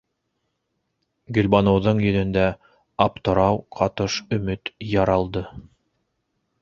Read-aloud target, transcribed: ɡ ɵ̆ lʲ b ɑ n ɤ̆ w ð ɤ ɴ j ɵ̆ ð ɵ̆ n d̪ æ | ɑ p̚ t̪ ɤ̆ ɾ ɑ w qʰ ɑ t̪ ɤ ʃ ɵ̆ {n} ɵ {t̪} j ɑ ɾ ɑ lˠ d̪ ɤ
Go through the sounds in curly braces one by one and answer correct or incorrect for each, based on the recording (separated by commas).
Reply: incorrect, correct